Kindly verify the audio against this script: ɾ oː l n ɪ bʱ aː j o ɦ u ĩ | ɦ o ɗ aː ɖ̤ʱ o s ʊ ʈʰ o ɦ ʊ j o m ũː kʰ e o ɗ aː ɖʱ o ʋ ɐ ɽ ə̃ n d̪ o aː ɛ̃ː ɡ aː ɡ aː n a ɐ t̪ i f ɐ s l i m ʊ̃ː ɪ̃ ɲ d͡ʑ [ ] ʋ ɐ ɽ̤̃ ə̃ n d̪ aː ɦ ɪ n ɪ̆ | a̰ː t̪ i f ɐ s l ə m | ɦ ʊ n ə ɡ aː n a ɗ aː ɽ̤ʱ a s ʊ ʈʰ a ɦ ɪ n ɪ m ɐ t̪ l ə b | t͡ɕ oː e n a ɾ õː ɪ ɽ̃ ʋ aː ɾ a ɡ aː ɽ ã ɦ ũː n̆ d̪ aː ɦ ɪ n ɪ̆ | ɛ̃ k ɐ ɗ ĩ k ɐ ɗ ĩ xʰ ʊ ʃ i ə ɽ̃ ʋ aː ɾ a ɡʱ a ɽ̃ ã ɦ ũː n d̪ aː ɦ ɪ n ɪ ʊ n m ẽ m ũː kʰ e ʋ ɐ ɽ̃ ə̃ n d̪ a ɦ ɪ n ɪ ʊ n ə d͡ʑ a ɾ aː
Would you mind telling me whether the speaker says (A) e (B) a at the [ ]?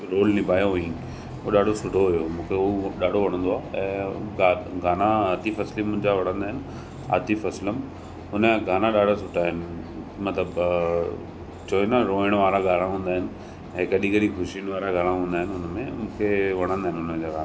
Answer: B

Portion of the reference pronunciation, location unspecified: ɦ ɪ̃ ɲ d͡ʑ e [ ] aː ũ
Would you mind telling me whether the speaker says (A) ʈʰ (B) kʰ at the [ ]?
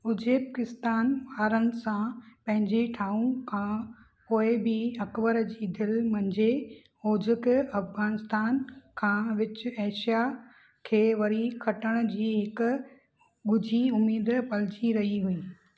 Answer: A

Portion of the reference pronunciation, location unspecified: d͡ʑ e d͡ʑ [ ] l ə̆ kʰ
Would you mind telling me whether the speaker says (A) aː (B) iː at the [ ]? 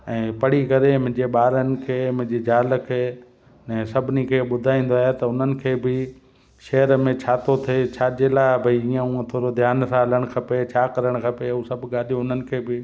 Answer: A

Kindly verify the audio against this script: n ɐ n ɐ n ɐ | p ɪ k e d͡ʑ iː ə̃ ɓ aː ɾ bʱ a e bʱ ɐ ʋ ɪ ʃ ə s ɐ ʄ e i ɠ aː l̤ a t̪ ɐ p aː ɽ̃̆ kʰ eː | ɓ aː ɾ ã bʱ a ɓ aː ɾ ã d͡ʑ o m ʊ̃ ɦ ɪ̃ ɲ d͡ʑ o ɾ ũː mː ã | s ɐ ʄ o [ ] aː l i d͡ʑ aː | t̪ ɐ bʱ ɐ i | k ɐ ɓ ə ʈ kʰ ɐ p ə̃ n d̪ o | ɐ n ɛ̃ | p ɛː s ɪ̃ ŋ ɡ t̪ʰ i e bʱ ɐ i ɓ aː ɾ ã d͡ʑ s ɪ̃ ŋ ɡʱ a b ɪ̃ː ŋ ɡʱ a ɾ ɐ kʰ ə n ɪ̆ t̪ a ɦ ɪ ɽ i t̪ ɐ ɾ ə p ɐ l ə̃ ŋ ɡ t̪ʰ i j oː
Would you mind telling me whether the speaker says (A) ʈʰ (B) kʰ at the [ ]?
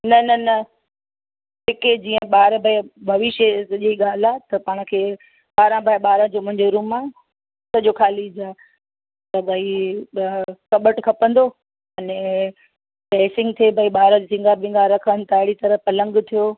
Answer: B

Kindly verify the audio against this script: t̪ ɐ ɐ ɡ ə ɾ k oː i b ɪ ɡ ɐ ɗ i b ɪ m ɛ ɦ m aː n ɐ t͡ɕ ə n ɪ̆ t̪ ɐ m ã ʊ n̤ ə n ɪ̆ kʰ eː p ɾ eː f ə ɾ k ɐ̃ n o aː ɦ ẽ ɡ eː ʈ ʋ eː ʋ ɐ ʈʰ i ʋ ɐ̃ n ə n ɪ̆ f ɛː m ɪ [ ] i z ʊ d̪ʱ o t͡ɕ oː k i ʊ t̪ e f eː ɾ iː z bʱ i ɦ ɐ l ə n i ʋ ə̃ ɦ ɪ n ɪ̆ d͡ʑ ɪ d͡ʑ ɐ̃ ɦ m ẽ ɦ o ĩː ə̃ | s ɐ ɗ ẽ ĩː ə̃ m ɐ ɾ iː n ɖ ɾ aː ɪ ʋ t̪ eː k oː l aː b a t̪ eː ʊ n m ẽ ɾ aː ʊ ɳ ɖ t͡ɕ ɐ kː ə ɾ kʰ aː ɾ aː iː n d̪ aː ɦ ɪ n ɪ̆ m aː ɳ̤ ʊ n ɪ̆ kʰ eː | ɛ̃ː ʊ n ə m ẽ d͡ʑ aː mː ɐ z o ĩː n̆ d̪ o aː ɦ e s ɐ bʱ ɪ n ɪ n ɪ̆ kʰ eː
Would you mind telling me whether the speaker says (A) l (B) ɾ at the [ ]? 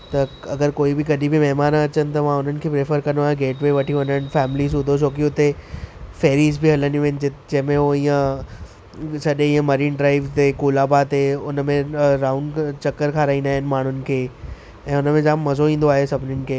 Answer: A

